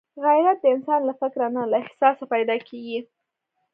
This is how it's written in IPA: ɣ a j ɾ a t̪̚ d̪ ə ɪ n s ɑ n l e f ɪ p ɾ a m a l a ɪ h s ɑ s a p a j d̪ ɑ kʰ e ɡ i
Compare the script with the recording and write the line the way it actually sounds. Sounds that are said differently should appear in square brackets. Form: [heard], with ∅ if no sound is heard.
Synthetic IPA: ɣ a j ɾ a t̪̚ d̪ ə ɪ n s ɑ n l [a] f ɪ [k] ɾ a [n] a l a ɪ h s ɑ s a p a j d̪ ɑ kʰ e ɡ i